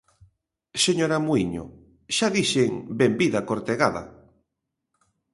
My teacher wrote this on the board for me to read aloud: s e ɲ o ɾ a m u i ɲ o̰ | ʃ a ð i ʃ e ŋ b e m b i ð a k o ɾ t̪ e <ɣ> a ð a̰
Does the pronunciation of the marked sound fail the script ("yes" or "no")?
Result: no